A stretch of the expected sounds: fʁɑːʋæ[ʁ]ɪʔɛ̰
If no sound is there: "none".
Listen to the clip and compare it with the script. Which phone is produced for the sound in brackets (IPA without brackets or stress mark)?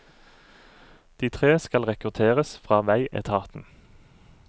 none